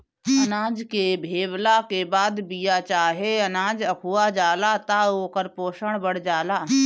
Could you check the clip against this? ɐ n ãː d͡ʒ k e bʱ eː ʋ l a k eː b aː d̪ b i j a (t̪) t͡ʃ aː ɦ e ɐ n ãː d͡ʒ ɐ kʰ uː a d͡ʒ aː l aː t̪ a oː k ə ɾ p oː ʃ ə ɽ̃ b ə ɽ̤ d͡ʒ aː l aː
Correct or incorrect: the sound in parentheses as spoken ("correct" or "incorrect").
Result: incorrect